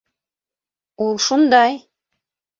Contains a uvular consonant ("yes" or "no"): no